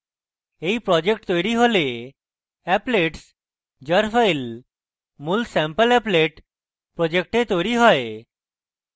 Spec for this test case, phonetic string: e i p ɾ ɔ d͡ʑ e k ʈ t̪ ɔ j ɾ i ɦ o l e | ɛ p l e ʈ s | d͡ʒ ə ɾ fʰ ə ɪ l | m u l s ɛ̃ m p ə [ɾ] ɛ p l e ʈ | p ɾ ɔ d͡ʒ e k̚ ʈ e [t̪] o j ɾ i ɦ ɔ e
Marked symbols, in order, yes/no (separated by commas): no, yes